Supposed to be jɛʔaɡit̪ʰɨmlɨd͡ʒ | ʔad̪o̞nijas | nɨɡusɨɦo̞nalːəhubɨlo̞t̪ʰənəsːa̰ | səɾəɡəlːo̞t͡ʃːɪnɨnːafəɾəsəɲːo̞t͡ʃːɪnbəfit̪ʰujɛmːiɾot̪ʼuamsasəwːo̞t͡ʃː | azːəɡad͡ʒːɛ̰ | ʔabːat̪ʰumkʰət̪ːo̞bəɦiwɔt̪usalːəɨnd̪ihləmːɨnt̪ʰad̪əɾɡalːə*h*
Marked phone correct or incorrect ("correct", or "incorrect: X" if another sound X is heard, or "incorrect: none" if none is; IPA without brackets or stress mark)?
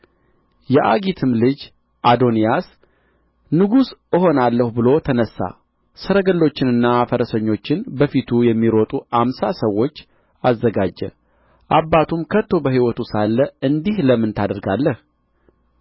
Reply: correct